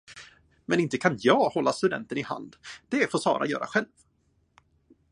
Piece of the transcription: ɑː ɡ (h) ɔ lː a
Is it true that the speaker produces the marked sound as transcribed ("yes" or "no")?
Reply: yes